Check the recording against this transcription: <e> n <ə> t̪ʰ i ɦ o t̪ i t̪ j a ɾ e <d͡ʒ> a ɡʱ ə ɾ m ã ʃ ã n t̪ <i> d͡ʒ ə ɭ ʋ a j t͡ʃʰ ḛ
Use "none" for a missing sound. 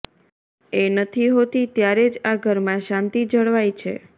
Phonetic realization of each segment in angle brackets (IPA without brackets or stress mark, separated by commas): e, ə, d͡ʒ, i